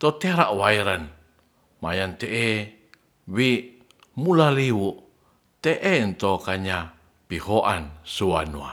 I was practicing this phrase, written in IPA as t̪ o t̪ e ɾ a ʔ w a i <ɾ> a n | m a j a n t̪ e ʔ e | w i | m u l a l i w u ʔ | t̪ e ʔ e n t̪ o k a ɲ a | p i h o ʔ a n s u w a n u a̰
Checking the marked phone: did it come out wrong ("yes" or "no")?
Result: no